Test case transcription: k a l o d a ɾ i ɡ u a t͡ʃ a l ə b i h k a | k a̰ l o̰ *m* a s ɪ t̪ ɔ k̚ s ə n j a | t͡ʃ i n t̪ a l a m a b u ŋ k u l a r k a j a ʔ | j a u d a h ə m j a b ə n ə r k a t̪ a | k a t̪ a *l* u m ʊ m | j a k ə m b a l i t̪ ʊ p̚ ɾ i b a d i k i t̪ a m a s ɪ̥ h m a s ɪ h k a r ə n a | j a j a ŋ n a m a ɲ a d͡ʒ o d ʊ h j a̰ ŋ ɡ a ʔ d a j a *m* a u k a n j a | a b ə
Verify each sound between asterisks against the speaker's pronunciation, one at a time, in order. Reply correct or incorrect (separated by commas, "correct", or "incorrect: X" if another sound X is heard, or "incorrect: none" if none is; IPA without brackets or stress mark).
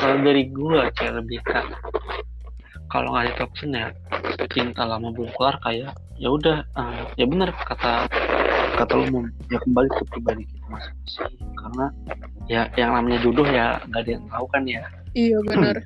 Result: incorrect: ŋ, correct, incorrect: ŋ